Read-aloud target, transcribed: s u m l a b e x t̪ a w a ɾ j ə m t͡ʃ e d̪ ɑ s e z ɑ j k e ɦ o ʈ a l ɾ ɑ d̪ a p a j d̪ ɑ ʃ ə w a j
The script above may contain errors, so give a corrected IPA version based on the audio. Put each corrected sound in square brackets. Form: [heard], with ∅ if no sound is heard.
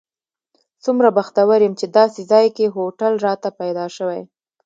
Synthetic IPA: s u m [ɾ] a b [a] x t̪ a w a ɾ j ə m t͡ʃ e d̪ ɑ s e z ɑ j k e ɦ o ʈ a l ɾ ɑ [t̪] a p a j d̪ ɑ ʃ ə w a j